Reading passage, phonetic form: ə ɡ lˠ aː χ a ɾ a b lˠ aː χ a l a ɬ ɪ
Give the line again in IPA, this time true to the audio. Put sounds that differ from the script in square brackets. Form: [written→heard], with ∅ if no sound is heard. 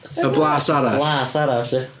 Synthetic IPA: ə [ɡ→b] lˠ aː [χ→s] a ɾ a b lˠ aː [χ→s] a [l→ɾ] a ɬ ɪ